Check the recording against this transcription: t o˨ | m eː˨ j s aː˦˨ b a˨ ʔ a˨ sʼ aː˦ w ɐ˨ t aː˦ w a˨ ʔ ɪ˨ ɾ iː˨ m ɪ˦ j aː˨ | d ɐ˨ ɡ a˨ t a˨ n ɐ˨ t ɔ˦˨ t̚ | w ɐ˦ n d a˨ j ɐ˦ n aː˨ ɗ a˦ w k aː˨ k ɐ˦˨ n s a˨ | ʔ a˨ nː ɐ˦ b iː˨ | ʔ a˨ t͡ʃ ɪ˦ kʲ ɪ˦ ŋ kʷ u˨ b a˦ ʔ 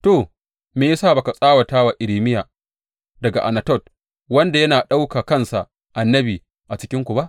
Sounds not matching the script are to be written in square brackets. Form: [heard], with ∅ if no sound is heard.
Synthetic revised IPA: t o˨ | m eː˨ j s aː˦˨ b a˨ [k] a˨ sʼ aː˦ w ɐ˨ t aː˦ w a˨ ʔ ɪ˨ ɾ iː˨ m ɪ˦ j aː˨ | d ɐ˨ ɡ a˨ [ʔ] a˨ n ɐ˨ t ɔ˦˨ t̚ | w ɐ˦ n d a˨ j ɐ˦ n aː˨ ɗ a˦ w k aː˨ k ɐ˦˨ n s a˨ | ʔ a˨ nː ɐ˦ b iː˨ | ʔ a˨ t͡ʃ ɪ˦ kʲ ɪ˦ ŋ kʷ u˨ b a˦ ʔ

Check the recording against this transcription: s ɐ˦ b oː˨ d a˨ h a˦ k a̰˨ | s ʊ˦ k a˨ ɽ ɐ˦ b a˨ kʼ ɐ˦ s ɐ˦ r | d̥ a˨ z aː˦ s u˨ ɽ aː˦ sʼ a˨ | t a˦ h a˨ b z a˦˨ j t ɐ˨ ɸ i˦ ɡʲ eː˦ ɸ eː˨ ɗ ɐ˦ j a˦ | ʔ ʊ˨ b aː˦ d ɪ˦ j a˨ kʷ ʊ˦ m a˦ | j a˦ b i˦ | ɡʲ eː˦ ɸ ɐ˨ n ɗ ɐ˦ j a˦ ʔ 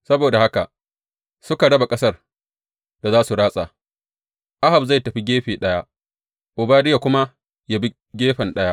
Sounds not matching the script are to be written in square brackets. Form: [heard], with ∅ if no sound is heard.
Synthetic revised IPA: s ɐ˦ b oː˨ d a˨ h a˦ k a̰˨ | s ʊ˦ k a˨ ɽ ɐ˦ b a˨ kʼ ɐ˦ s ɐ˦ r | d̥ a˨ z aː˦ s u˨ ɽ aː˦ sʼ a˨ | [ʔ] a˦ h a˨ b z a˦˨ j t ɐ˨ ɸ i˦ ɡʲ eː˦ ɸ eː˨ ɗ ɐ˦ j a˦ | ʔ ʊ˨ b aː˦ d ɪ˦ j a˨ kʷ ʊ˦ m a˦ | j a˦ b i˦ | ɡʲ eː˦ ɸ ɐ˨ n ɗ ɐ˦ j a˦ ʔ

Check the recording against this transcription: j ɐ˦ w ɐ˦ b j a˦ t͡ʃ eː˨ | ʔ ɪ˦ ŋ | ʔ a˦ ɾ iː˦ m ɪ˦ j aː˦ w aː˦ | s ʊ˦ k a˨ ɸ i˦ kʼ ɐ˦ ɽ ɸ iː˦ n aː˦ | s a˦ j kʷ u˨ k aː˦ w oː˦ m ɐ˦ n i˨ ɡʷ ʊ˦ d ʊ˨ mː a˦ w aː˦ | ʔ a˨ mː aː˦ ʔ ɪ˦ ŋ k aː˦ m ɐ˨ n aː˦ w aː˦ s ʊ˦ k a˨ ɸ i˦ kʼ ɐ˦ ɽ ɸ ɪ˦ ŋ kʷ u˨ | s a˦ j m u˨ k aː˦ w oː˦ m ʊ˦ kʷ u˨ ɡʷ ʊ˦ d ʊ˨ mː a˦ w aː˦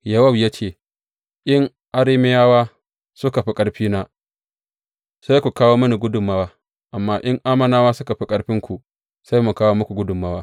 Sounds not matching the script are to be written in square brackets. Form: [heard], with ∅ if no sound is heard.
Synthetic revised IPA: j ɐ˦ w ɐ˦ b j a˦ t͡ʃ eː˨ | ʔ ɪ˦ ŋ | ʔ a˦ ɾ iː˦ m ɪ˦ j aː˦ w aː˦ | s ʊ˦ k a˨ ɸ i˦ kʼ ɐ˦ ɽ ɸ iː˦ n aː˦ | s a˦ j kʷ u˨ k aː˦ w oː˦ m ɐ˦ n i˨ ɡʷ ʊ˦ d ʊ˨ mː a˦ w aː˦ | ʔ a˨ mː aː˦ ʔ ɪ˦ ŋ [ʔ] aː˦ m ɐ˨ n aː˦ w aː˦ s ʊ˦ k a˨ ɸ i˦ kʼ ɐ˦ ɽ ɸ ɪ˦ ŋ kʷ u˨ | s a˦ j m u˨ k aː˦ w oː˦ m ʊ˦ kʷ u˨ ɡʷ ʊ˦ d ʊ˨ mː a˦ w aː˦

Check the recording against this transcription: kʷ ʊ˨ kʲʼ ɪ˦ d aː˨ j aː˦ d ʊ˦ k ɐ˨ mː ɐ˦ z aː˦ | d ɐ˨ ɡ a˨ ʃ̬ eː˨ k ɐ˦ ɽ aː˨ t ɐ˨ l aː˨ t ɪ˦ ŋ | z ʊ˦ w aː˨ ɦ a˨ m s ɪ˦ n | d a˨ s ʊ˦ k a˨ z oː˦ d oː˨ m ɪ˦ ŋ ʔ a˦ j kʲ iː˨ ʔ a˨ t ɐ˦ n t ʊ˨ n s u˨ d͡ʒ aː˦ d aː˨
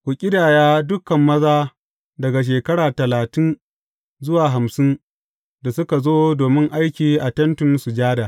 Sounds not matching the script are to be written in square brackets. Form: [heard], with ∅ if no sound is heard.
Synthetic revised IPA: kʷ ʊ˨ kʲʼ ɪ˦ d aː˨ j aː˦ d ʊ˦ k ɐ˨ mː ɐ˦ z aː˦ | d ɐ˨ ɡ a˨ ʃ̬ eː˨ k ɐ˦ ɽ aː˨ t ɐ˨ l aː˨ t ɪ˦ [n] | z ʊ˦ w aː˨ ɦ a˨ m s ɪ˦ n | d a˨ s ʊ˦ k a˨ z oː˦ d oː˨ m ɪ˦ ŋ ʔ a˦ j kʲ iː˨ ʔ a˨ t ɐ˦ n t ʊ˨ n s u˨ d͡ʒ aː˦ d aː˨

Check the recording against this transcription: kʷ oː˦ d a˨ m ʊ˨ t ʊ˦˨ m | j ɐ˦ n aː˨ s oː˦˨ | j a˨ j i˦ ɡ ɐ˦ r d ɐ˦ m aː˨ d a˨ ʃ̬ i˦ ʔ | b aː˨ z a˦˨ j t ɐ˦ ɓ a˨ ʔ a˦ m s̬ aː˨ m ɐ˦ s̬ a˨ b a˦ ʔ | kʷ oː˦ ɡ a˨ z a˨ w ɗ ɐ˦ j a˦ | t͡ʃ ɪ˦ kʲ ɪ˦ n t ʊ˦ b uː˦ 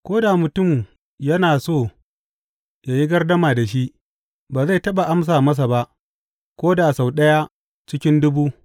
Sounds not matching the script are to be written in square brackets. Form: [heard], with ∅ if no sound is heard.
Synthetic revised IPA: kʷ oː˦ d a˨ m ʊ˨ t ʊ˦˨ m | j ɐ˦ n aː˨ s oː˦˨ | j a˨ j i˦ ɡ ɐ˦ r d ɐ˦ m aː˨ d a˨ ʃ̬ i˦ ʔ | b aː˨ z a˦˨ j t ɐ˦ ɓ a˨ ʔ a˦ m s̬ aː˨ m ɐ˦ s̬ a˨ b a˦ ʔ | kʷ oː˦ [d] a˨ [s] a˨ w ɗ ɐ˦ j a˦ | t͡ʃ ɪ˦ kʲ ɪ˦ n [d] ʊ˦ b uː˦

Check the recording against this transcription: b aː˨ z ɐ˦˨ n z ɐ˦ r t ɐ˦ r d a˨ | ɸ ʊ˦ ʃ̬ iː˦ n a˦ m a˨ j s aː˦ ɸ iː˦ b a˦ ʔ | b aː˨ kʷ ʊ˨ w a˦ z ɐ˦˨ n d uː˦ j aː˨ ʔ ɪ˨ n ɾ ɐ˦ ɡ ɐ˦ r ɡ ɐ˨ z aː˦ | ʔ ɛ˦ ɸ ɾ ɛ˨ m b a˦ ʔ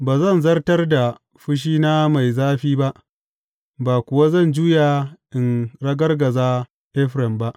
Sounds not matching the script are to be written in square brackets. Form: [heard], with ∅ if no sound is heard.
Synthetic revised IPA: b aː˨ z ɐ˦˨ n z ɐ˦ r t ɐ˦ r d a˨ | ɸ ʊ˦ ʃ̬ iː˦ n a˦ m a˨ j [z] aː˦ ɸ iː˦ b a˦ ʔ | b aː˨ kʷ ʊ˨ w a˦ z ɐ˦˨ n [d͡ʒ] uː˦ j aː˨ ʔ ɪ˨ n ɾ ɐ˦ ɡ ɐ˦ r ɡ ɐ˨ z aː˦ | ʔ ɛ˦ ɸ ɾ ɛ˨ m b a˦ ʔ

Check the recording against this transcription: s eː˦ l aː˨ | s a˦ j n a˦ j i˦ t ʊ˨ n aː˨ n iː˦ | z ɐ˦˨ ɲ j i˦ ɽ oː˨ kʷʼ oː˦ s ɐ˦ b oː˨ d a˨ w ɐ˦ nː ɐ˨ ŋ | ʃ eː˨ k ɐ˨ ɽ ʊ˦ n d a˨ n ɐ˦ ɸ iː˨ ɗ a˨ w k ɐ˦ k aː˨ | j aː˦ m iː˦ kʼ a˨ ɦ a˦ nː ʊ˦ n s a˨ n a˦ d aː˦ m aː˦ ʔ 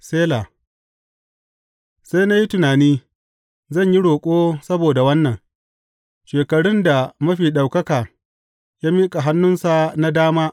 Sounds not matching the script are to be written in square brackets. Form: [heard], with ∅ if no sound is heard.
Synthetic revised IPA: s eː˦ l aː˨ | s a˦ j n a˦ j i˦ t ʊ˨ n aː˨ n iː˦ | z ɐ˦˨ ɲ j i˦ ɽ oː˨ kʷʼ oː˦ s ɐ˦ b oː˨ d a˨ w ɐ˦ nː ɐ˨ ŋ | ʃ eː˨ k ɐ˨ ɽ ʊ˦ n d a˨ [m] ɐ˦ ɸ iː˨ ɗ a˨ w k ɐ˦ k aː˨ | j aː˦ m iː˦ kʼ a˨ ɦ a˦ nː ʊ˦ n s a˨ n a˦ d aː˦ m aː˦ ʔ

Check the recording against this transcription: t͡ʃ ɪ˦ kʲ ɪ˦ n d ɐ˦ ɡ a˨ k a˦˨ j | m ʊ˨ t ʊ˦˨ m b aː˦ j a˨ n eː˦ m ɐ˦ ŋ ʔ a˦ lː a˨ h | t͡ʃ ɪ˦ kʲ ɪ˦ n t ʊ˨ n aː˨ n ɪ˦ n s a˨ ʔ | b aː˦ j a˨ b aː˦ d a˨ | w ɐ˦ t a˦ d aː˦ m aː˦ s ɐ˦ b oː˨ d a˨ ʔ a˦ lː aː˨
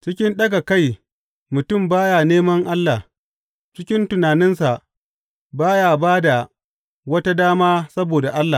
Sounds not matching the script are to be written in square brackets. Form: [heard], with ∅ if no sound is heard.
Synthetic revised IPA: t͡ʃ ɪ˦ kʲ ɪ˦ n [ɗ] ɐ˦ ɡ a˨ k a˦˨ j | m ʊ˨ t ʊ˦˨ m b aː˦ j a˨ n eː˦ m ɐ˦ ŋ ʔ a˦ lː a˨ h | t͡ʃ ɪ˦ kʲ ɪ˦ n t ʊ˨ n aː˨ n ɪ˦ n s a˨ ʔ | b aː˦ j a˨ b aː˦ d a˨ | w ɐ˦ t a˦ d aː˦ m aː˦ s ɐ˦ b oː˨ d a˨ ʔ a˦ lː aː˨

